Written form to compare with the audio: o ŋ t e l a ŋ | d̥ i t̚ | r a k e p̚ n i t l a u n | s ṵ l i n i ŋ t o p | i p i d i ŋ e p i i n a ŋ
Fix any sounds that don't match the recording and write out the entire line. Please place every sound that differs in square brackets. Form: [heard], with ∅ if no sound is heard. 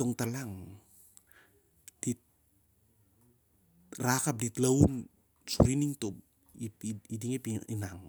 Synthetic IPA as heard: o ŋ t [a] l a ŋ | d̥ i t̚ | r a k [a] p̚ [d] i t l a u n | s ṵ [ɾ] i n i ŋ t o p | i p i d i ŋ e p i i n a ŋ

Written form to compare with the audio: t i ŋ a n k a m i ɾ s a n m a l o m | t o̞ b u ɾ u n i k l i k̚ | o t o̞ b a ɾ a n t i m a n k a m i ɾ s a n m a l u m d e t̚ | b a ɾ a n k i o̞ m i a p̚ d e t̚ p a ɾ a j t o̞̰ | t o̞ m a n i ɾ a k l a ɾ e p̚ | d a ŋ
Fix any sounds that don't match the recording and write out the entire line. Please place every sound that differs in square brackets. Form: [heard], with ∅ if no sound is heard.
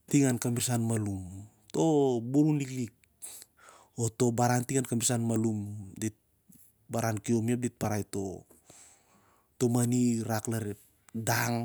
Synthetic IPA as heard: t i ŋ a n k a m i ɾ s a n m a l [u] m | t o̞ b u ɾ u n i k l i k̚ | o t o̞ b a ɾ a n t i [ŋ] a n k a m i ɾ s a n m a l u m d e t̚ | b a ɾ a n k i o̞ m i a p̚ d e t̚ p a ɾ a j t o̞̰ | t o̞ m a n i ɾ a k l a ɾ e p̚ | d a ŋ

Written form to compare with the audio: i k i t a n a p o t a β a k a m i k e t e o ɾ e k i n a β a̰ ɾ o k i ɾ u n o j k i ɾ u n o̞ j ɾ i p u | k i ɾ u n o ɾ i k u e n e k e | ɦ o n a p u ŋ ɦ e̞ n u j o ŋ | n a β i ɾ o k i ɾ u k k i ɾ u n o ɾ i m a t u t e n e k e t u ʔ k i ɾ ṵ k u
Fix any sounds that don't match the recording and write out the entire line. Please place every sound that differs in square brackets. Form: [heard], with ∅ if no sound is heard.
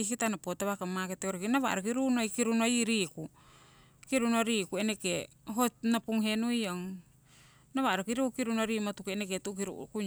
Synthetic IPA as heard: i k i t a n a p o t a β a k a m [a] k e t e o ɾ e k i n a β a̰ ɾ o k i ɾ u n o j k i ɾ u n o̞ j ɾ i [k] u | k i ɾ u n o ɾ i k u e n e k e | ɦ o n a p u ŋ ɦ e̞ n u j o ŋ | n a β [a] ɾ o k i ɾ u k k i ɾ u n o ɾ i m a t u [k] e n e k e t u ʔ k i ɾ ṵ k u

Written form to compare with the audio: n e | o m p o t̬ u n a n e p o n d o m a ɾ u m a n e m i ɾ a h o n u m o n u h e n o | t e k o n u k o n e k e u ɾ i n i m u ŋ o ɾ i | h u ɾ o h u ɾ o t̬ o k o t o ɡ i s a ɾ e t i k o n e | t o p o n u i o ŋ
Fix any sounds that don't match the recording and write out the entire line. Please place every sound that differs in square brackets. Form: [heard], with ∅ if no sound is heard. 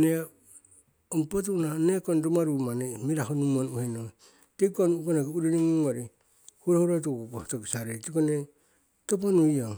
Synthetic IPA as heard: n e | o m p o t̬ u n a n e [k] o n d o m a ɾ u m a n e m i ɾ a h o n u m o n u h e n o | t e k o n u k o n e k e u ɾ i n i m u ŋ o ɾ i | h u ɾ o h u ɾ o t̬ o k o t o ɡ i s a ɾ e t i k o n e | t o p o n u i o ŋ

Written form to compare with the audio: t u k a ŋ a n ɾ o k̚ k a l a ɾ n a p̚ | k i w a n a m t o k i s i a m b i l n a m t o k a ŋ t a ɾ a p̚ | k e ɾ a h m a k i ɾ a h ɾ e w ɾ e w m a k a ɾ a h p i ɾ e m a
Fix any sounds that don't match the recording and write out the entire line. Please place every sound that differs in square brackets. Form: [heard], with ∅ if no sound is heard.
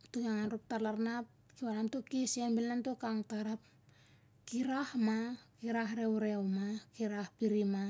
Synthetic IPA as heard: t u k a ŋ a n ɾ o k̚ [t] a l a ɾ n a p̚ | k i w a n a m t o k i s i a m b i l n a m t o k a ŋ t a ɾ a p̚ | k [i] ɾ a h m a k i ɾ a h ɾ e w ɾ e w m a k [i] ɾ a h p i ɾ [i] m a

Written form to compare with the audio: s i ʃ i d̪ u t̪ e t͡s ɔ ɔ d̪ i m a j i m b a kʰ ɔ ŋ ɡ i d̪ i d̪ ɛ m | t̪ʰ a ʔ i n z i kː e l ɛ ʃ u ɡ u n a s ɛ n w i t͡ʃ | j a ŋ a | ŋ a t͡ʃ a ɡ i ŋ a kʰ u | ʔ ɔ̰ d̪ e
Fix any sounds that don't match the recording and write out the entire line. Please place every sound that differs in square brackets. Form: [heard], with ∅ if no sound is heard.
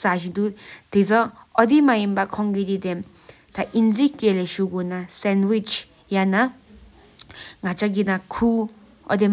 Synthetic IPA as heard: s [a] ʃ i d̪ u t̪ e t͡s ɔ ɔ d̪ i m a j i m b a kʰ ɔ ŋ ɡ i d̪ i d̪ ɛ m | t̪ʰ a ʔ i n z i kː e l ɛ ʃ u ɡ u n a s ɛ n w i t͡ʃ | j a [n] a | ŋ a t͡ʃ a ɡ i [n] a kʰ u | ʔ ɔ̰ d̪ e

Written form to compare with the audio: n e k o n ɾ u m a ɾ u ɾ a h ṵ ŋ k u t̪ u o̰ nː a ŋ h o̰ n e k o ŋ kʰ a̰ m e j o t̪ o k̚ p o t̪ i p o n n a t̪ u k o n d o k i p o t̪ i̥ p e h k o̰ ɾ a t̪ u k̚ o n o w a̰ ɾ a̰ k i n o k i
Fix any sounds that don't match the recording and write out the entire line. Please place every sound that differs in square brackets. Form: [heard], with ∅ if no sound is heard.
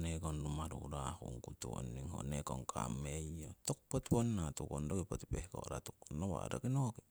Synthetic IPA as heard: n e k o n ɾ u m a ɾ u ɾ a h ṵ ŋ k u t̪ u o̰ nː [i] ŋ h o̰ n e k o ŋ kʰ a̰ m e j o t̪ o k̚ p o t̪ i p o n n a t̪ u k o n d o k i p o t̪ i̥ p e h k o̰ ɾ a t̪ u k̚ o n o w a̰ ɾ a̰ k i n o k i

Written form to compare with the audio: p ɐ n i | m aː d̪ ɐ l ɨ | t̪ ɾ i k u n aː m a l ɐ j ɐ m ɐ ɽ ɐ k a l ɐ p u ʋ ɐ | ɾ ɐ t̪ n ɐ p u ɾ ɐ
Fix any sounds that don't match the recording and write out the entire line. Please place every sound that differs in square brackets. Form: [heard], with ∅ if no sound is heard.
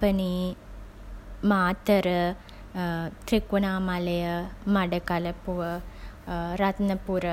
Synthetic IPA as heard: p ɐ n i | m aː [t̪] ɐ [ɾ] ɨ | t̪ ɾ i k u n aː m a l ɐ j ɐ m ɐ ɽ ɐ k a l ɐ p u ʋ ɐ | ɾ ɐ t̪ n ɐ p u ɾ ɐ

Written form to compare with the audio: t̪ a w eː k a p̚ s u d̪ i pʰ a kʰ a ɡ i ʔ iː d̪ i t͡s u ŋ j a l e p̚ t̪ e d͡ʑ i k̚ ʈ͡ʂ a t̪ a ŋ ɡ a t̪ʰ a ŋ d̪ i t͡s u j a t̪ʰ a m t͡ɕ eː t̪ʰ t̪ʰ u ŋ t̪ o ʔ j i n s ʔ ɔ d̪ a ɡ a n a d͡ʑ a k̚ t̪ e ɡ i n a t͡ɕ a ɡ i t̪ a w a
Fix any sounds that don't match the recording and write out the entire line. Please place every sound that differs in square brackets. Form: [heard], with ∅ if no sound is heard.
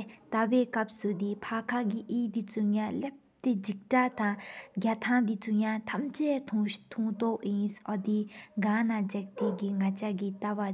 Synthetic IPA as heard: t̪ a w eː k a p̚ s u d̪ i pʰ a kʰ a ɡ i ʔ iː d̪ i t͡s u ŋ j a l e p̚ t̪ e d͡ʑ i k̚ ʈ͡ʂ a t̪ a ŋ ɡ a t̪ʰ a ŋ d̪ i t͡s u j a t̪ʰ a m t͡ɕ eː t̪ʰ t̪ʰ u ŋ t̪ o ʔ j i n s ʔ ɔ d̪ [i] ɡ a n a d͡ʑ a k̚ t̪ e ɡ i [ŋ] a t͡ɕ a ɡ i t̪ a w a

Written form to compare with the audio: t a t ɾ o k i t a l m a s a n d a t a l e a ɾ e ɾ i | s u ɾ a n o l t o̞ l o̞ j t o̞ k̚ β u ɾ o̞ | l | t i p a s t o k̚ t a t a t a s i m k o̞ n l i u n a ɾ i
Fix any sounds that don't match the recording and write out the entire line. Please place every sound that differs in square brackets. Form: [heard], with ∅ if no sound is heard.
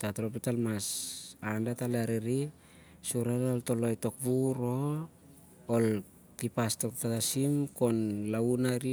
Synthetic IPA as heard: t a t ɾ o [p] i t a l m a s a n d a t a l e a ɾ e ɾ i | s u ɾ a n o l t o̞ l o̞ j t o̞ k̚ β u ɾ o̞ | l | t i p a s t o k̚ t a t a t a s i m k o̞ n l [a] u n a ɾ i

